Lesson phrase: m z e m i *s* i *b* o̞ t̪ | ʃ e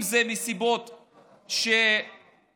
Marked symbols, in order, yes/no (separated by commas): yes, yes